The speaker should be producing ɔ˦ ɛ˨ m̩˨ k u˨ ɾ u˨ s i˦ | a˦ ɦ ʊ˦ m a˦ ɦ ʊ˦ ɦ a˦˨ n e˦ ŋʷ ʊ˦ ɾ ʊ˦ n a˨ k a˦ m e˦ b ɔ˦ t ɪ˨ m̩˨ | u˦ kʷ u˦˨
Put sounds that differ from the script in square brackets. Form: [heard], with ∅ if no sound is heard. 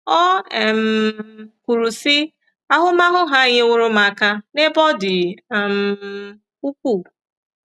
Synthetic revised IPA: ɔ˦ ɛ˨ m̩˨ k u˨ ɾ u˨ s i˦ | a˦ ɦ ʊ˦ m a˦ ɦ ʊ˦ ɦ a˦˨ [ɲ] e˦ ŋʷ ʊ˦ ɾ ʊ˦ [m] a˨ k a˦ [n] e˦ b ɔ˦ [d] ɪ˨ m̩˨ | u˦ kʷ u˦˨